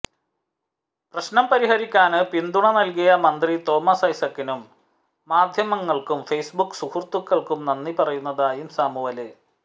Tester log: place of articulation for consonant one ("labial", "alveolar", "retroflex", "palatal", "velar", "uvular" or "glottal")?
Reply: labial